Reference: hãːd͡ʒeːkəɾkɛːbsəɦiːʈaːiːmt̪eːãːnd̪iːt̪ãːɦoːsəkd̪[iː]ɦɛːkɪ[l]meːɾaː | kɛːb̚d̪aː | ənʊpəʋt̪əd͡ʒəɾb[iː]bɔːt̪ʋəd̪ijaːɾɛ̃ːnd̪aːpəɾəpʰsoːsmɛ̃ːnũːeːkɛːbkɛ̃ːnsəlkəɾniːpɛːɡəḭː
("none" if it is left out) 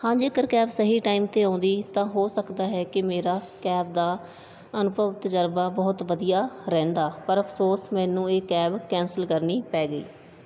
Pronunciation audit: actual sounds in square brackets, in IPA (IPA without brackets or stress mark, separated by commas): aː, none, aː